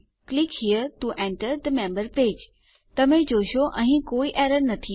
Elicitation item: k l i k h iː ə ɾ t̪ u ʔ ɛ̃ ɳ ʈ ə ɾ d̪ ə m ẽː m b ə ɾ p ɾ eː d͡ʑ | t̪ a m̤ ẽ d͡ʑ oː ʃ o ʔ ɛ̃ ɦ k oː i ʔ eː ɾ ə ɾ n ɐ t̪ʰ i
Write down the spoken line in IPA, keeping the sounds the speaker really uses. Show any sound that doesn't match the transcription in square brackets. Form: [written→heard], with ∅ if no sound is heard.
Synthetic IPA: k l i k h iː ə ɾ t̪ u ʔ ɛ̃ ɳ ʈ ə ɾ d̪ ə m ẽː m b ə ɾ p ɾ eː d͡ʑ | t̪ [a→ɐ] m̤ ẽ d͡ʑ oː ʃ o ʔ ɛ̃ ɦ k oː i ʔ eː ɾ ə ɾ n ɐ t̪ʰ i